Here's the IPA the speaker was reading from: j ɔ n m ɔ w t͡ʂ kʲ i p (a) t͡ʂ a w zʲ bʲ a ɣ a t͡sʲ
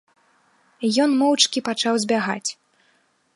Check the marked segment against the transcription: correct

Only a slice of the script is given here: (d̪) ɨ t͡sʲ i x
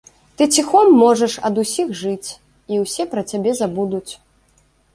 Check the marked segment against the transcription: incorrect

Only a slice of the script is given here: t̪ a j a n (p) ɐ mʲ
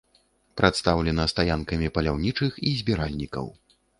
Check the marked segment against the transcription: incorrect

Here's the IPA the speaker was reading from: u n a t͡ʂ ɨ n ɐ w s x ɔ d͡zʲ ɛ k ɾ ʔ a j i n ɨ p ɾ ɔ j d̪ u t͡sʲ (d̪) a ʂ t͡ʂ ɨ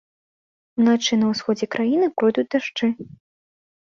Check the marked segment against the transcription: correct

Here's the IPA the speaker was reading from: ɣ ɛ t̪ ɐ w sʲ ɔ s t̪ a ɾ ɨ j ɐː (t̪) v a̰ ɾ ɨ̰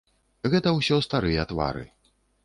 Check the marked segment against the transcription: correct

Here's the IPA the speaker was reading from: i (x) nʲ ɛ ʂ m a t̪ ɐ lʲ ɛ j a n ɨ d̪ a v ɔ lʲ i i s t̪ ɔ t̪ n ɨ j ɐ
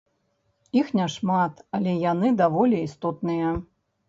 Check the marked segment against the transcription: correct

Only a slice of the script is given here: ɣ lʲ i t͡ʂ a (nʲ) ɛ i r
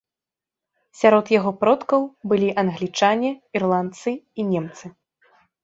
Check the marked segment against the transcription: correct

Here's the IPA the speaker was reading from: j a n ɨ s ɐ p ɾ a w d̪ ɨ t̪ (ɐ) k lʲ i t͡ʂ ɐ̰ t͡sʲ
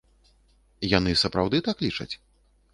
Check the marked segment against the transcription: incorrect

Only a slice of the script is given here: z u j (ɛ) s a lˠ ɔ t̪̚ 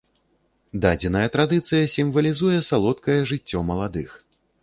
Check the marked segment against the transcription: correct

